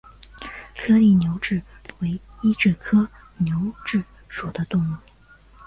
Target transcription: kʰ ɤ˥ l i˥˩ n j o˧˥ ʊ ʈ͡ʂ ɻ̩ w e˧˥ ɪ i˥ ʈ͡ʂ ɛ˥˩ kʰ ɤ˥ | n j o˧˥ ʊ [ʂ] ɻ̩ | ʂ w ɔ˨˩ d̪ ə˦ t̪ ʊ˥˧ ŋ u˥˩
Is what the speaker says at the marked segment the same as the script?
no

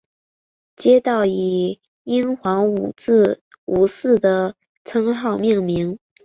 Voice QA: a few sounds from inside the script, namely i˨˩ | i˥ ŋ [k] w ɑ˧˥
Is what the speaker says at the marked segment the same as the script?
no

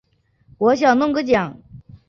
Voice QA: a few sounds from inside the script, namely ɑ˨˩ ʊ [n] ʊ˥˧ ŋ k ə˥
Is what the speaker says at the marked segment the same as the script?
yes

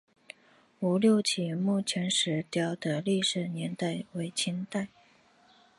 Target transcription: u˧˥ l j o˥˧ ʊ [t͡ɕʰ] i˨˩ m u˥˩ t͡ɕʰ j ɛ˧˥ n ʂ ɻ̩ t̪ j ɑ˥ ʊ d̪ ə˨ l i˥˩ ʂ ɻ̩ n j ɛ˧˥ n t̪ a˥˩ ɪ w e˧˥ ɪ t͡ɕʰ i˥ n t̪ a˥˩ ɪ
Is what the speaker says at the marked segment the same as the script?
yes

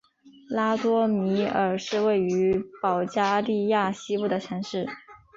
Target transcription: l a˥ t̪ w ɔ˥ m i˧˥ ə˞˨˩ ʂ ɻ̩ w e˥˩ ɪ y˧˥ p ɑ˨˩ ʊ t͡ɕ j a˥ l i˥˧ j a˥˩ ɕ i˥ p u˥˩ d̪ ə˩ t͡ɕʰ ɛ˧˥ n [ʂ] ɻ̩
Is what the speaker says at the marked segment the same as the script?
yes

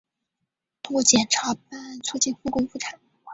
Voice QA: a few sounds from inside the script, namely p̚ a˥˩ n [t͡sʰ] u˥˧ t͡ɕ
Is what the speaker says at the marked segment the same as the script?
yes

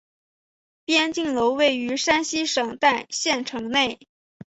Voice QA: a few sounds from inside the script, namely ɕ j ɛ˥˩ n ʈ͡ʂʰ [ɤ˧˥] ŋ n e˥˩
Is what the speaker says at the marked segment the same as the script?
yes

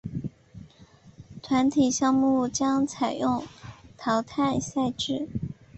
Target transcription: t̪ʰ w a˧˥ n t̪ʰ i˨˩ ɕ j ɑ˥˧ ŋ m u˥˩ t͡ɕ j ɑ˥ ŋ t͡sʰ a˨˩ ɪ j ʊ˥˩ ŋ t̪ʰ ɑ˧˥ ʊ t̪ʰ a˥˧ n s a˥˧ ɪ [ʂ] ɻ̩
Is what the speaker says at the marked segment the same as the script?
no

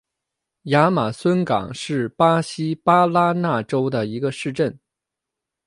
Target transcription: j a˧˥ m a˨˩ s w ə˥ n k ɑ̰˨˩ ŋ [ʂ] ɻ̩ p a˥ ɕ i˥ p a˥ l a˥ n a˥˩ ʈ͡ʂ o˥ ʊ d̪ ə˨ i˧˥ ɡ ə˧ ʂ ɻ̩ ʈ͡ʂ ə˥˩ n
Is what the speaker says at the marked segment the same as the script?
yes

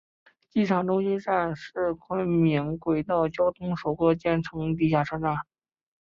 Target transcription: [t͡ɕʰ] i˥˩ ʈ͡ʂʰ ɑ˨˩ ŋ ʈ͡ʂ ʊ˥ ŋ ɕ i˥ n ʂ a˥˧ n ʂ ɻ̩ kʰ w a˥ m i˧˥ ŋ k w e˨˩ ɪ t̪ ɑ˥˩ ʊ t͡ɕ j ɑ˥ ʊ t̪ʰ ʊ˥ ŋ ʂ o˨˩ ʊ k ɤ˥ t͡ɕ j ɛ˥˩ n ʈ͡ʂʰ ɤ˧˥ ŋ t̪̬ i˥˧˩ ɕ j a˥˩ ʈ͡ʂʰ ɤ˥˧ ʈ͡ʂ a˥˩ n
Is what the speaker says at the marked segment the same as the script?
no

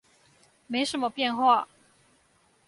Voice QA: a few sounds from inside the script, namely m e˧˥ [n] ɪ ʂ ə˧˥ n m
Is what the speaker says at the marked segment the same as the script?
no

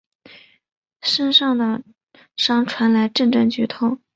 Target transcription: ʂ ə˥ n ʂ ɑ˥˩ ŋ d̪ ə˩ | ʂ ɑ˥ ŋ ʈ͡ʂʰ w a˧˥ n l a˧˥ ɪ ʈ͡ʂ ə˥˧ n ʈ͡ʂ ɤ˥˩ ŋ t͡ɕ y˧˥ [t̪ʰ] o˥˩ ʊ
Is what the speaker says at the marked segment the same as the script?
yes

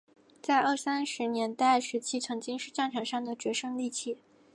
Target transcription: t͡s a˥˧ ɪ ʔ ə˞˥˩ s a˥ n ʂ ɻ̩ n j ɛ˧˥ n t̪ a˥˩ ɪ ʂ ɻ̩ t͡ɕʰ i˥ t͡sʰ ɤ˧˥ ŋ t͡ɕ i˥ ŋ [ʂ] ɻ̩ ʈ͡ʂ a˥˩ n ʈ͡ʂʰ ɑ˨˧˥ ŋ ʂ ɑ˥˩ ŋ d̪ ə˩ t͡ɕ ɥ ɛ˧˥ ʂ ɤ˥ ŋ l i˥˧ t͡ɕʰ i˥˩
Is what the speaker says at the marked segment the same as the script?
yes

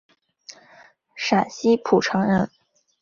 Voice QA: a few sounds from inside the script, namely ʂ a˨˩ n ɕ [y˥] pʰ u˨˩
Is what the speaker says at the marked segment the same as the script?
no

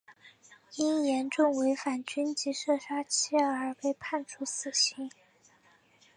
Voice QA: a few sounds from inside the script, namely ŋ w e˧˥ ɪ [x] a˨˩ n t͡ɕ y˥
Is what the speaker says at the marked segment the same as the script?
no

